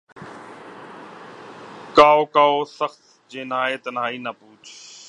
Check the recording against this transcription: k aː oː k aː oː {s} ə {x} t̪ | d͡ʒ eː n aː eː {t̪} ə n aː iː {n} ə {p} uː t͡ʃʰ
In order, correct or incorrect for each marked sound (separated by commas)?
correct, correct, correct, correct, correct